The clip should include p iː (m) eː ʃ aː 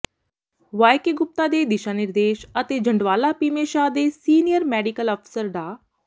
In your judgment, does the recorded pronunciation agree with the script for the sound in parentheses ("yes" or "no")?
yes